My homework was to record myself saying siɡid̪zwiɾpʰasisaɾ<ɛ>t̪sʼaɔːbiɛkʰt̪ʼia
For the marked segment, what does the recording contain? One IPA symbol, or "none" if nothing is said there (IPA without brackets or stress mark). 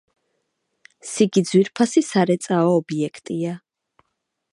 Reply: ɛ